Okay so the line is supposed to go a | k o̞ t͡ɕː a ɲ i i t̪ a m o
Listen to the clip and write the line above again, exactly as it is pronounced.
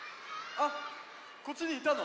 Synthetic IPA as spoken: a | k o̞ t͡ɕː i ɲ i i t̪ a n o